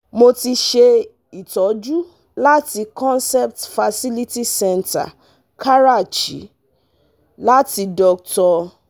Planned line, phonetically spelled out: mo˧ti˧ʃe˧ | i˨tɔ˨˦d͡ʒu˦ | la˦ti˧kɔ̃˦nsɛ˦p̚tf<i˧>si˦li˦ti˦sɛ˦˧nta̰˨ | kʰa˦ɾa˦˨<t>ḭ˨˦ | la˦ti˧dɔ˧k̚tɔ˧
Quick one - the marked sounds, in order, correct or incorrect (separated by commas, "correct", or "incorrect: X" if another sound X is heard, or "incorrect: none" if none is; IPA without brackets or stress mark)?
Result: incorrect: a˧, incorrect: t͡ʃ